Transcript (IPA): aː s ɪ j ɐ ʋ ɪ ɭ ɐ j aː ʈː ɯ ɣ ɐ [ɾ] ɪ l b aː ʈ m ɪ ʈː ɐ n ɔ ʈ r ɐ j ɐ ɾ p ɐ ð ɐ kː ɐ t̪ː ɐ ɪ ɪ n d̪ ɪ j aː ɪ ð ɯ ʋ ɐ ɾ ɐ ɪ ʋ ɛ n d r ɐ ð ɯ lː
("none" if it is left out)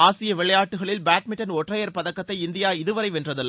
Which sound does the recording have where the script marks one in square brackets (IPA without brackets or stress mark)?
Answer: ɭ